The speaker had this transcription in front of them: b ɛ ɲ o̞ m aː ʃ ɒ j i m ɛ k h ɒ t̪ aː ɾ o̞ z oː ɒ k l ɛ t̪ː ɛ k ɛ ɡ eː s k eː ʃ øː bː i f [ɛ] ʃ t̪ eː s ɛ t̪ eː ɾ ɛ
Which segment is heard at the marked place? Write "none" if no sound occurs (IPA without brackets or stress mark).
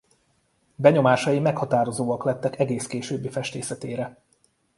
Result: ɛ